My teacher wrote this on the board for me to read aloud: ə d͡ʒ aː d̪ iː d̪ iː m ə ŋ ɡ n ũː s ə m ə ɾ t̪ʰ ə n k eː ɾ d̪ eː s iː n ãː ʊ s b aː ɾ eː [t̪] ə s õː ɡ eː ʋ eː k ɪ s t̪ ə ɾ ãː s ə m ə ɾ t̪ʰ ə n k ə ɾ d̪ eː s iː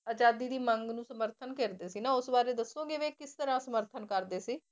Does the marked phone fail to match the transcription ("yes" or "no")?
yes